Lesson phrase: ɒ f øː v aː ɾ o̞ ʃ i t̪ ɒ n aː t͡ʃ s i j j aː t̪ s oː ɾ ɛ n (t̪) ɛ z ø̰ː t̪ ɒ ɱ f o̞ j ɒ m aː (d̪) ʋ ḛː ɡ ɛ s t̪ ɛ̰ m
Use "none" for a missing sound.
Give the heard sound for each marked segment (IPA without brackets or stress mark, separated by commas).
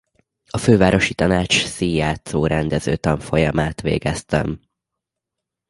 d̪, t̪